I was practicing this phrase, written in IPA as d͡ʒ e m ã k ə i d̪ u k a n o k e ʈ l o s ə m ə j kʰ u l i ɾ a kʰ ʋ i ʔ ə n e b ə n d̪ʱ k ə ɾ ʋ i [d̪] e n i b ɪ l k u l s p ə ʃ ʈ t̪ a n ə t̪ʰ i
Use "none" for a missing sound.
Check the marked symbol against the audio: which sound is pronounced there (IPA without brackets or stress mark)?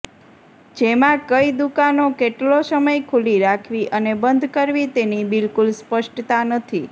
t̪